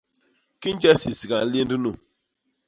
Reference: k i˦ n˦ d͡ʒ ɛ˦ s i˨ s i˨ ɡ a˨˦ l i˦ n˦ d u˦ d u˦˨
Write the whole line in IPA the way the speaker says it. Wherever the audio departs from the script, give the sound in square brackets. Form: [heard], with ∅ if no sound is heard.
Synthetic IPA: k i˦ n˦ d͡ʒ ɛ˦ s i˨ s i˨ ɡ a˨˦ l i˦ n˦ d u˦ [n] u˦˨